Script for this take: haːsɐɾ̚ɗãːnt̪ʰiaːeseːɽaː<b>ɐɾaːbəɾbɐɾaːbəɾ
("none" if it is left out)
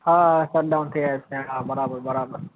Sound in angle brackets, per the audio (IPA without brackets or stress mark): b